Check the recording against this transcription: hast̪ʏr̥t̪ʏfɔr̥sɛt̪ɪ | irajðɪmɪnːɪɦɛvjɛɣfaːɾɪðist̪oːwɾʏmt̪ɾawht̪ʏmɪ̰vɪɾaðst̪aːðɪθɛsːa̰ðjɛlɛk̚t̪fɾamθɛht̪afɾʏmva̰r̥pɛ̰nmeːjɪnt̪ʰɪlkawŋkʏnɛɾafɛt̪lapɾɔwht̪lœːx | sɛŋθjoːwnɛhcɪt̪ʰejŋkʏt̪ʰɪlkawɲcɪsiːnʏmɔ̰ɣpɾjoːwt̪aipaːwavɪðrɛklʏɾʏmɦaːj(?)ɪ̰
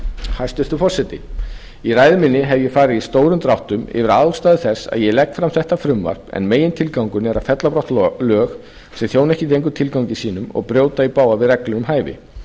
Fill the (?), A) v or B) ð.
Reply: A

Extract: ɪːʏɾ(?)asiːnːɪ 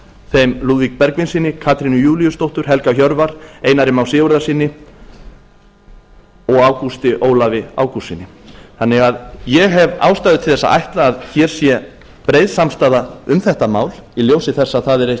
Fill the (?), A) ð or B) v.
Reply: A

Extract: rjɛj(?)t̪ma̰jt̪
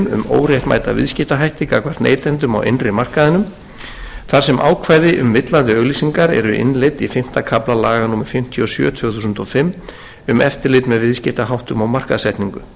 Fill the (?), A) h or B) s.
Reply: A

